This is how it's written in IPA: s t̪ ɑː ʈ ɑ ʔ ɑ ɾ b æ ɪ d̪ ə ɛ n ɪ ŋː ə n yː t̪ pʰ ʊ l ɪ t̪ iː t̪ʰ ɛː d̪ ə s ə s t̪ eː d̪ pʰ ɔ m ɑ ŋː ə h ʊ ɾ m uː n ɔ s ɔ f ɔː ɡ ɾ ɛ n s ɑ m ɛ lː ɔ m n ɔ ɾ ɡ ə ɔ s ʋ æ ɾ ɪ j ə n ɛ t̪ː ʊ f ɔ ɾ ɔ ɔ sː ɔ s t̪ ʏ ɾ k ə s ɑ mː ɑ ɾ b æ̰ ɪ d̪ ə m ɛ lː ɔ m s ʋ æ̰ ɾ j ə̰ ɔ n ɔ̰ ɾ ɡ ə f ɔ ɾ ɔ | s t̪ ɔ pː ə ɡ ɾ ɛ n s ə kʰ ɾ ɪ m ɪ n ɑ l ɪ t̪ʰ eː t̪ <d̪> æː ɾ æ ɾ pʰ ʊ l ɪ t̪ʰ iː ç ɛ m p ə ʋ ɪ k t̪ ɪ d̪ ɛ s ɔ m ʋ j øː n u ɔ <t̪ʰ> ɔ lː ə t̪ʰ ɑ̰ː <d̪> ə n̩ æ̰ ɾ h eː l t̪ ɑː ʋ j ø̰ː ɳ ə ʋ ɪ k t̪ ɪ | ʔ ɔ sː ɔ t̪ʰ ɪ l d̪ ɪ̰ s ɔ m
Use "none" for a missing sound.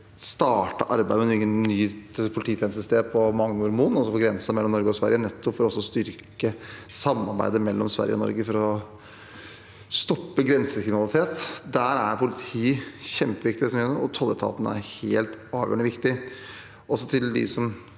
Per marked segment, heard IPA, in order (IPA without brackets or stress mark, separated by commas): d̪, t̪ʰ, t̪